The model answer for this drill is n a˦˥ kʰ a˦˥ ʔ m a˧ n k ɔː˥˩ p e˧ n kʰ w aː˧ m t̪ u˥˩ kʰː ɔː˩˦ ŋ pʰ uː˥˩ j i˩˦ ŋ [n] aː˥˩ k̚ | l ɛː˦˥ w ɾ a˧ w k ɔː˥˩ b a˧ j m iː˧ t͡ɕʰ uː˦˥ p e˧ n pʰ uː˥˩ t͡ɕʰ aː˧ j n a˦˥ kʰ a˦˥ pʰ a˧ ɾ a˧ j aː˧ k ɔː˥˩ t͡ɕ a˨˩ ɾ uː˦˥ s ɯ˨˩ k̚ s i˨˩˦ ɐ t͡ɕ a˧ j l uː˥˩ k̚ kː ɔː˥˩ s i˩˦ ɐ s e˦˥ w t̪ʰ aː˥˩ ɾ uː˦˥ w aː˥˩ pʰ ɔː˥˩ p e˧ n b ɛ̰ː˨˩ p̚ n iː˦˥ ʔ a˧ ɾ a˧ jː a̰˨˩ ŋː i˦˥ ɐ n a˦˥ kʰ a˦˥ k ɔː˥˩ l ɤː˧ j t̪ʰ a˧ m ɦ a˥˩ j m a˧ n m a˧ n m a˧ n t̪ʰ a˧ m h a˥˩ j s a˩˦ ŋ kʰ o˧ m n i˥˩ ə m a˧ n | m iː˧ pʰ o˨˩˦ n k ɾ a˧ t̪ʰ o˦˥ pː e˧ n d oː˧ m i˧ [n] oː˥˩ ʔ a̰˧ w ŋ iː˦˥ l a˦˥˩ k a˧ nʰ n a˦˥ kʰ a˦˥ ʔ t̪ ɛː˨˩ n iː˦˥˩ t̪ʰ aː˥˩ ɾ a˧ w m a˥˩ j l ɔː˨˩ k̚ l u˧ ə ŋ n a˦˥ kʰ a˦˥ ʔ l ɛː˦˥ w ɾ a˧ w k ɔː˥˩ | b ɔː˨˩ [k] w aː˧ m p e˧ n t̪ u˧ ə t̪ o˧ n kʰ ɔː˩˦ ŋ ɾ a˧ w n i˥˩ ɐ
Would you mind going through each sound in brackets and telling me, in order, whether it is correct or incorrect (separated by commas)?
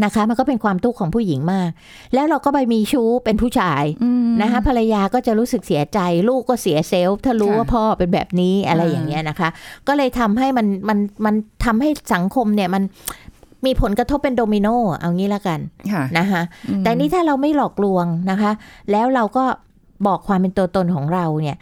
incorrect, correct, incorrect